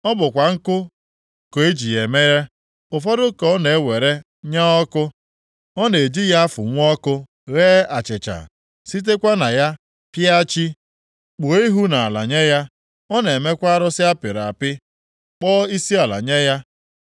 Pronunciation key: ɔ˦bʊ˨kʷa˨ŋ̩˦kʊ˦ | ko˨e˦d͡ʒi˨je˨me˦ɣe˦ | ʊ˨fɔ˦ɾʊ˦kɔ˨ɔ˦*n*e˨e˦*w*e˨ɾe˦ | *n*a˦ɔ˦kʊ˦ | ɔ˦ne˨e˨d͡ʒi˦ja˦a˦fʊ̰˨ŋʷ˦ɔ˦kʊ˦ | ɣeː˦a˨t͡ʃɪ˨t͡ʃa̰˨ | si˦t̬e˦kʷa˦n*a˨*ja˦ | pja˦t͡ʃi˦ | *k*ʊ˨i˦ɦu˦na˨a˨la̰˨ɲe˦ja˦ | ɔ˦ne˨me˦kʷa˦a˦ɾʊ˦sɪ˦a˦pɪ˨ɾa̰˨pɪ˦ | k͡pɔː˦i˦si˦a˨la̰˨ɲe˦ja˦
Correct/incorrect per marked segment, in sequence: correct, correct, incorrect: ɲ, correct, incorrect: k͡p

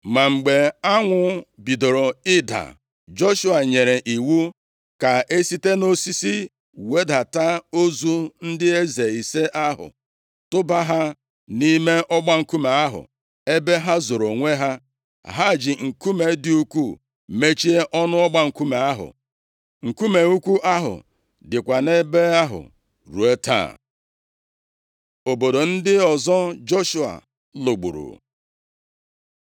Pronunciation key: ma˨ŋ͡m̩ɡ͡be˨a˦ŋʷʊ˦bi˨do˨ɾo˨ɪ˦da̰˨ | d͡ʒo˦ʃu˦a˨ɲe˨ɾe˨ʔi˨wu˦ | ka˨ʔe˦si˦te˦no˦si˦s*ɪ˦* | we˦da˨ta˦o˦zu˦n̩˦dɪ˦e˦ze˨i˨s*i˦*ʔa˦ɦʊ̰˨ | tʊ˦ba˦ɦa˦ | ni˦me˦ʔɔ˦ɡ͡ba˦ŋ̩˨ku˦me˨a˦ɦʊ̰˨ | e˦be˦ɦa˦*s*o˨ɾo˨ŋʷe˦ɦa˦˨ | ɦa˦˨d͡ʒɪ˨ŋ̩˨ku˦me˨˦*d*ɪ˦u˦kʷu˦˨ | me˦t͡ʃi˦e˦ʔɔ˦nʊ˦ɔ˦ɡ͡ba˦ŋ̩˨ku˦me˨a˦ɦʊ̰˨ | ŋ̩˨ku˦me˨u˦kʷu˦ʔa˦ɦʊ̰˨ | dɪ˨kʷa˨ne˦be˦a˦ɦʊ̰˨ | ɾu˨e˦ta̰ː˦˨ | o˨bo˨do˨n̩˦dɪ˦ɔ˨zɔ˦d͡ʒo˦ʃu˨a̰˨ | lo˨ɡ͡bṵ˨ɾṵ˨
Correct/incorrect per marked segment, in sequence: incorrect: i˦, incorrect: e˦, incorrect: z, correct

